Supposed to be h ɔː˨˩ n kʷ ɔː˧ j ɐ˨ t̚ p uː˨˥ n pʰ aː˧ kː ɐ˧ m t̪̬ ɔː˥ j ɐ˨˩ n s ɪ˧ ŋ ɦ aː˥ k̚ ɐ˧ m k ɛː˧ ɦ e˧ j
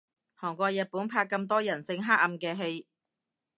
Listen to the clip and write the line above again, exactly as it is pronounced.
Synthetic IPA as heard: h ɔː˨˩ ŋ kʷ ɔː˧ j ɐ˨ t̚ p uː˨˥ n pʰ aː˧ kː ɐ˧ m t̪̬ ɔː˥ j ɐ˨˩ n s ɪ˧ ŋ ɦ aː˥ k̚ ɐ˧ m k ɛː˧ ɦ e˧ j